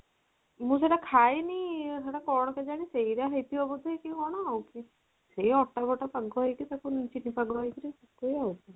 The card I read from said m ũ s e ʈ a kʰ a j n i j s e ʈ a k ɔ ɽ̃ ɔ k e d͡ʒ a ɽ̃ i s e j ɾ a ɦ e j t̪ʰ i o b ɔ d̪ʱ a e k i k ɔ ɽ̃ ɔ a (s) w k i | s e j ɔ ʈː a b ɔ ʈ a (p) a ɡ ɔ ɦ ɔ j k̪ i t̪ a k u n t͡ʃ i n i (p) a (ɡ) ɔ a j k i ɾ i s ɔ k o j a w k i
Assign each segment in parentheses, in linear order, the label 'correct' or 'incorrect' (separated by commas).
incorrect, correct, correct, correct